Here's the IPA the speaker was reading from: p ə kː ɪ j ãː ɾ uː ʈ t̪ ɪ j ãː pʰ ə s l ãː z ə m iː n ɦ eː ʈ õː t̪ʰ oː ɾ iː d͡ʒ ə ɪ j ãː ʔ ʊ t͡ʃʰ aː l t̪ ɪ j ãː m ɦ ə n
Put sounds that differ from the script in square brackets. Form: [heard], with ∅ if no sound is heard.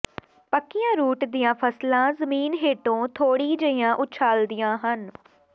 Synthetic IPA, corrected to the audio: p ə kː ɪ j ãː ɾ uː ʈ [d̪] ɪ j ãː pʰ ə s l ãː z ə m iː n ɦ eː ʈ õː t̪ʰ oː [ɽ] iː d͡ʒ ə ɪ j ãː ʔ ʊ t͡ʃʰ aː l [d̪] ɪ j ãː [∅] ɦ ə n